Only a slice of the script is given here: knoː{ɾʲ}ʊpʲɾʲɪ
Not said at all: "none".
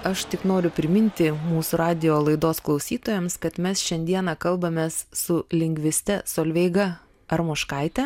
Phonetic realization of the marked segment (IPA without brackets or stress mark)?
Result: ɾʲ